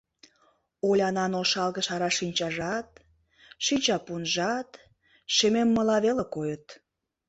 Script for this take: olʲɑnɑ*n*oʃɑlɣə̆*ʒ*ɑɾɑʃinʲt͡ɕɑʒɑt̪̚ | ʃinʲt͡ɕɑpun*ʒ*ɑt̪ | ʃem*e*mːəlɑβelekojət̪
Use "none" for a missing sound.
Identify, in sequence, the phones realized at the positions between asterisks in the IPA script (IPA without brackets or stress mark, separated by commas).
n, ʃ, ʒ, e